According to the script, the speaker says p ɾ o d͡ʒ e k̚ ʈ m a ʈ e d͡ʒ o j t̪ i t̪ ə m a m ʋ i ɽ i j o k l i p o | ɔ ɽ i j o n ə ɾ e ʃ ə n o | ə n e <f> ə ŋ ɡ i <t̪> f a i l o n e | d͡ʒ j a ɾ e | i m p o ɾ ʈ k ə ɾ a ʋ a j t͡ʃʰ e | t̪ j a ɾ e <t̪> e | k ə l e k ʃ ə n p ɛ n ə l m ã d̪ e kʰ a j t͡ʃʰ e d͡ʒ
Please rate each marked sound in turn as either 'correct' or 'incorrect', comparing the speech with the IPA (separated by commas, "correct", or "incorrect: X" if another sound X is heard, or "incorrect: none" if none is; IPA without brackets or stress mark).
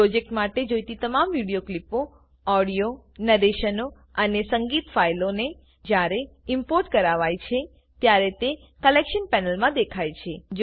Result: incorrect: s, correct, correct